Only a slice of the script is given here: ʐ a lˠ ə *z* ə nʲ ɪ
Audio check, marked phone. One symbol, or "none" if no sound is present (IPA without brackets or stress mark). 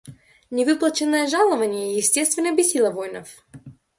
v